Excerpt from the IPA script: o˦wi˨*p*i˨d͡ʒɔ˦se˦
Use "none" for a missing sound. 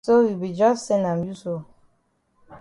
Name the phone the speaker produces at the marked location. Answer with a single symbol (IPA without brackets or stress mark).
b